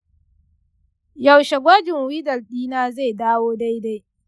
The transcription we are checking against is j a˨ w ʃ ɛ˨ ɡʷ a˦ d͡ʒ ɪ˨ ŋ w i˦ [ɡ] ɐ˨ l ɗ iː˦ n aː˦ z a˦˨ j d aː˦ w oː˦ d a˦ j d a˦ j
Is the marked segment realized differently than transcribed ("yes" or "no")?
yes